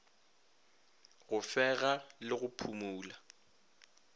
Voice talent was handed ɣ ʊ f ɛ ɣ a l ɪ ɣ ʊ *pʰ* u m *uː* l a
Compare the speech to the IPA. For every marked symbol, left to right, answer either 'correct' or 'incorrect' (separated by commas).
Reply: correct, correct